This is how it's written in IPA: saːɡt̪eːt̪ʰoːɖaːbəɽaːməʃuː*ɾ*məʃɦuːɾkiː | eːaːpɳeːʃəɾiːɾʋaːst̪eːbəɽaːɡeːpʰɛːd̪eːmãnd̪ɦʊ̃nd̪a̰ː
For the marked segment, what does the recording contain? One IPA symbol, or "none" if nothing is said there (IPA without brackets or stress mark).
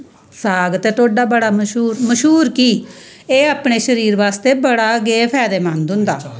ɾ